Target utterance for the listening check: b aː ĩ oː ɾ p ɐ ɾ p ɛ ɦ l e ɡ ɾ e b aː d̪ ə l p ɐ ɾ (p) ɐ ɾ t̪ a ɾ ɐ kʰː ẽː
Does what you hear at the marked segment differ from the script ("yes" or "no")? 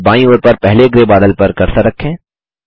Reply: yes